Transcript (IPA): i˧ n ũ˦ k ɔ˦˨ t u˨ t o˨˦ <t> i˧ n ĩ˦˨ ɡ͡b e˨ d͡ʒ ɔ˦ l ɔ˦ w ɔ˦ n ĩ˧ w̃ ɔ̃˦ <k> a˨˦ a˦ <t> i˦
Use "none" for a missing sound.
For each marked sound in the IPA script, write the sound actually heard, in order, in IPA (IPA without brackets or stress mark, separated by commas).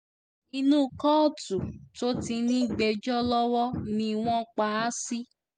t, k͡p, s